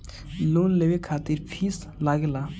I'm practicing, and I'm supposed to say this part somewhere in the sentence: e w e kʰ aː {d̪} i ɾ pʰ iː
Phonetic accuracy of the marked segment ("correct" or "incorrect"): incorrect